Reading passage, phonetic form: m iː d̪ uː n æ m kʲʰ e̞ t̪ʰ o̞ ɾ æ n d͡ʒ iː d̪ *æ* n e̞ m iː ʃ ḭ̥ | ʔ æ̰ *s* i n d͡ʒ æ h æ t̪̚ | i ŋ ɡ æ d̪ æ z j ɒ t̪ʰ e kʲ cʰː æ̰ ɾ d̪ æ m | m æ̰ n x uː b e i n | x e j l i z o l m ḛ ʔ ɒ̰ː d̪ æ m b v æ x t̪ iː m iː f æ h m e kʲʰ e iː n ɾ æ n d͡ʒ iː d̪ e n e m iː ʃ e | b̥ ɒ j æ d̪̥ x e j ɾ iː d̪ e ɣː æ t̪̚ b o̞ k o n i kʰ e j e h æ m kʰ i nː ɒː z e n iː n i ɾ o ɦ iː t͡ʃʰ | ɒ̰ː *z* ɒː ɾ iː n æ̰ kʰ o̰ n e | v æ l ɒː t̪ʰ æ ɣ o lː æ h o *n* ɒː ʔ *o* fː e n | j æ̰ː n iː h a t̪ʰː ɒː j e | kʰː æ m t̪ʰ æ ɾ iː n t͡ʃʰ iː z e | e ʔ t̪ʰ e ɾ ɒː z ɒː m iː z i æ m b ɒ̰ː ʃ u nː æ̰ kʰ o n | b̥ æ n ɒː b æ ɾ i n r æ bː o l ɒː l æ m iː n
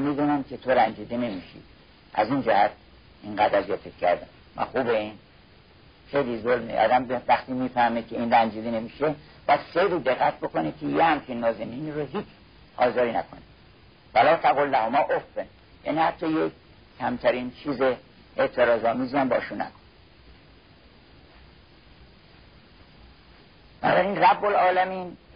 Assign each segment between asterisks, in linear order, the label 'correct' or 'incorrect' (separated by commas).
incorrect, incorrect, correct, incorrect, correct